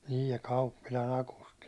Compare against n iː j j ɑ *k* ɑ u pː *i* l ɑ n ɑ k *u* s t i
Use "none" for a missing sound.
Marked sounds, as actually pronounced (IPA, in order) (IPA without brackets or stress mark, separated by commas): k, i, u